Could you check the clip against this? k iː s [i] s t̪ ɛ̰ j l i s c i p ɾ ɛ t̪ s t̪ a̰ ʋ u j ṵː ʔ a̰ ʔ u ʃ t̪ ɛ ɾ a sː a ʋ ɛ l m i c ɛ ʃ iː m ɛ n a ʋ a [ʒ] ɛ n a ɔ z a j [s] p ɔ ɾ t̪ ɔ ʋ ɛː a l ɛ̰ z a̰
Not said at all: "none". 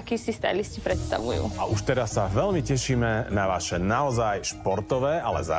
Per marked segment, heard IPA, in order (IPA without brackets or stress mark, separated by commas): i, ʃ, ʃ